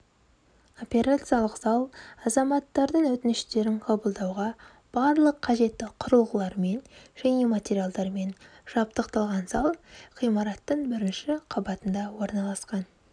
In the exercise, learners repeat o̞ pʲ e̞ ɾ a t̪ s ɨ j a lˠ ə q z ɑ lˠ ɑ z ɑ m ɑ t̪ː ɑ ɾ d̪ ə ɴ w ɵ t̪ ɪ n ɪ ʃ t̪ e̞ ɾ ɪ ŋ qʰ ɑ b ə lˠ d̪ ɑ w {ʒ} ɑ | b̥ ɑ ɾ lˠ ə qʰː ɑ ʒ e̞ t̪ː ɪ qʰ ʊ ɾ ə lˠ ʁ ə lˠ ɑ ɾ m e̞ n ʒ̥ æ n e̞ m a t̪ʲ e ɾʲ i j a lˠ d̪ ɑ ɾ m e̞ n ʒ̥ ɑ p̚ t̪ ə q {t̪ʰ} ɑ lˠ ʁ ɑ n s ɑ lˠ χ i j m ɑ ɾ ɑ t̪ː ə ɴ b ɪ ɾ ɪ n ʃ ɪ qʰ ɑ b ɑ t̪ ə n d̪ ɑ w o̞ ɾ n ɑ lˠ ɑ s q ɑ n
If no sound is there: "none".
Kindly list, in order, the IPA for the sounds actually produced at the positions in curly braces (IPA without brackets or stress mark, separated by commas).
ʁ, t̪